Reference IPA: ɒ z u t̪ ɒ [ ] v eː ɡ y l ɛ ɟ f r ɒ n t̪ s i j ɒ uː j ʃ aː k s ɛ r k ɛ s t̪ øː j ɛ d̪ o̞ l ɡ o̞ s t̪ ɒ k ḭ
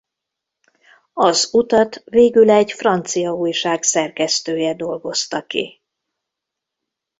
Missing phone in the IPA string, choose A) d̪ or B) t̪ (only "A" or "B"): B